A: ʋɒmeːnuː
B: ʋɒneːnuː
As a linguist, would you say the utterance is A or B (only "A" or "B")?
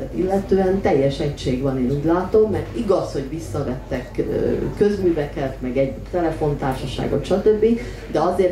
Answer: B